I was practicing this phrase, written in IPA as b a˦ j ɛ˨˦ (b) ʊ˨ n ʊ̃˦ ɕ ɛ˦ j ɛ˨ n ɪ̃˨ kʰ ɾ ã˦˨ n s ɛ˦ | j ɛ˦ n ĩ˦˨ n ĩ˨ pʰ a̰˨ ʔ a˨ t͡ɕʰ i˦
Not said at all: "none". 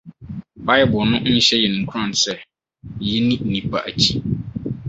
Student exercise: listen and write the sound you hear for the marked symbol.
b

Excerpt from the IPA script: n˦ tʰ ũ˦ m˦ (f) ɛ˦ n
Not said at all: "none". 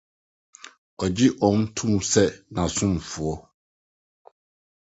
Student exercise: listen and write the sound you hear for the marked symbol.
s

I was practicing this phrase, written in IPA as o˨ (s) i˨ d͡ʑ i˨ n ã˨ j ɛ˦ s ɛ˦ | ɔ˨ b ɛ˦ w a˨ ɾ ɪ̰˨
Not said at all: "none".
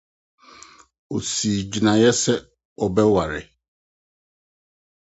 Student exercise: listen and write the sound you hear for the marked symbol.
s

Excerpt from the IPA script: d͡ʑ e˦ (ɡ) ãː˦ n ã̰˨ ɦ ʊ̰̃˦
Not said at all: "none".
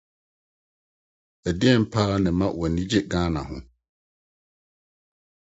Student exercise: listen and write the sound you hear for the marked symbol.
ɡ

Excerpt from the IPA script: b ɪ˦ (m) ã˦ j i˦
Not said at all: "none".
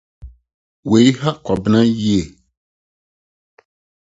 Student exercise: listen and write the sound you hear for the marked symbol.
n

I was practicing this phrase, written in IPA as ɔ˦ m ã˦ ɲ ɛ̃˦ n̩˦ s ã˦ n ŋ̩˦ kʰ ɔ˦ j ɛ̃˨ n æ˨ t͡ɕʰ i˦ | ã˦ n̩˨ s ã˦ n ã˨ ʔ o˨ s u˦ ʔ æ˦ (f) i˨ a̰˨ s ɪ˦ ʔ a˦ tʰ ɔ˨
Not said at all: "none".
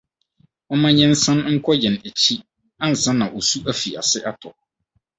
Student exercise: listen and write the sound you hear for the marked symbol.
f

